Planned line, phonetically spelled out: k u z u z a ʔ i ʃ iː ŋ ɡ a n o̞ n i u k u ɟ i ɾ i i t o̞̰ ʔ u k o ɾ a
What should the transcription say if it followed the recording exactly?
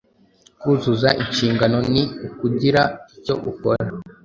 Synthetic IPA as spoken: k u z u z a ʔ i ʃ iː ŋ ɡ a n o̞ n i u k u ɟ i ɾ a i c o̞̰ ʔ u k o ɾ a